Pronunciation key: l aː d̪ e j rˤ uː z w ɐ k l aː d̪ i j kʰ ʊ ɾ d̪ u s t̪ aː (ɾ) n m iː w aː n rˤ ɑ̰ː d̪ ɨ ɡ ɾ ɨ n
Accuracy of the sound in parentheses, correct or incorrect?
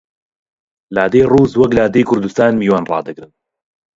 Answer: incorrect